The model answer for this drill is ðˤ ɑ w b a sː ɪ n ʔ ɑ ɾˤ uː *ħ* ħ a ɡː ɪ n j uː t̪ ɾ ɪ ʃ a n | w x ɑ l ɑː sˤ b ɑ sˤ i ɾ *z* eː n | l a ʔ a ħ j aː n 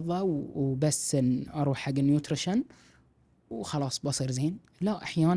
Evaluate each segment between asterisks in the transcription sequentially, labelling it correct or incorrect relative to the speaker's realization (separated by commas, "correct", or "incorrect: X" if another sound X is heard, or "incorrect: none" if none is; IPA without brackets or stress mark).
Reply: correct, correct